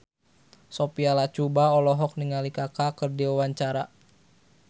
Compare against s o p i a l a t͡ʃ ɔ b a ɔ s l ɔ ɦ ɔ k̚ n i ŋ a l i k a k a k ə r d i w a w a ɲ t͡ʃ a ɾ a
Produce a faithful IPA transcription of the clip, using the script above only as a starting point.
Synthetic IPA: s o p i a l a t͡ʃ u b a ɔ l ɔ ɦ ɔ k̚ n i ŋ a l i k a k a k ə r d i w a w a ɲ t͡ʃ a ɾ a